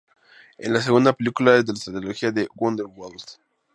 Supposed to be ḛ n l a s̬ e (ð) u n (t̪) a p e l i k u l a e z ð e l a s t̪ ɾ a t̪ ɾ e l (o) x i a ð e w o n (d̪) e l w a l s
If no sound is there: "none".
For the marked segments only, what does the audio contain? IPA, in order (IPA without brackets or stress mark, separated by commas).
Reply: ɣ, d̪, o, d̪